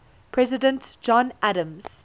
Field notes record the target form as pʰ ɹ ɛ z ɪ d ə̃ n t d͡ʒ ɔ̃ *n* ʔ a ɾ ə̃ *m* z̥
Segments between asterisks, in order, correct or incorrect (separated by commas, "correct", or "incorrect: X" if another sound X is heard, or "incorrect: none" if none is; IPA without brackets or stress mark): correct, correct